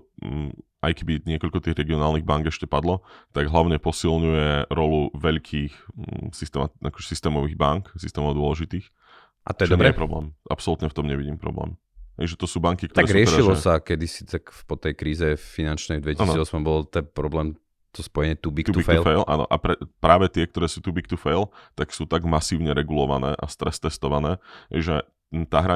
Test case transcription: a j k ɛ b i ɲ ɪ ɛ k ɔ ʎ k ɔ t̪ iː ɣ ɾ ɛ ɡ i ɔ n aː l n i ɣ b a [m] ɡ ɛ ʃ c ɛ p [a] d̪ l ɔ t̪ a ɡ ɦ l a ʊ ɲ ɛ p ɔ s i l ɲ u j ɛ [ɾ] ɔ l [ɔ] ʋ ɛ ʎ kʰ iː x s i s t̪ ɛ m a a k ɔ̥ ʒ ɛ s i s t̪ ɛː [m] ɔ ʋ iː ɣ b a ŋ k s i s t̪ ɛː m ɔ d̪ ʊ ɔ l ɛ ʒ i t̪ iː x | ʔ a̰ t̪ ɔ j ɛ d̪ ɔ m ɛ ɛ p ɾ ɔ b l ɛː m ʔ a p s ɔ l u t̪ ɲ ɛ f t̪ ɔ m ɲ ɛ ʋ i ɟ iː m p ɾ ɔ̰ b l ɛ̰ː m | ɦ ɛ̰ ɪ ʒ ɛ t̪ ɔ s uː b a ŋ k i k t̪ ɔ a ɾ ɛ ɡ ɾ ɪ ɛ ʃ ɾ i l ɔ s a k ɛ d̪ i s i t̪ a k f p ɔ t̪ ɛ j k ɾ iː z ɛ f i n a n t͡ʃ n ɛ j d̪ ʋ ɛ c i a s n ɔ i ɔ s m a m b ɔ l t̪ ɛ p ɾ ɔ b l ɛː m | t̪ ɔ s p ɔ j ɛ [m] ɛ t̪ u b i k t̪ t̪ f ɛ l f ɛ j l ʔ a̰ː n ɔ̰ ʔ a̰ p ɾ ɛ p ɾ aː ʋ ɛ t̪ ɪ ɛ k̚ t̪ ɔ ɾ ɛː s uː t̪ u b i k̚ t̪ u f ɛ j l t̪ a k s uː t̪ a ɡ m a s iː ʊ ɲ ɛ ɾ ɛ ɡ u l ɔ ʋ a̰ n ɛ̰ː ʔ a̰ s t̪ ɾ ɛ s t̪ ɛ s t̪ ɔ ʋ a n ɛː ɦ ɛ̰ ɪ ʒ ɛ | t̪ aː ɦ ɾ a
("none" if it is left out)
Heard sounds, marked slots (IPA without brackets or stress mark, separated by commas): ŋ, a, ɾ, u, m, ɲ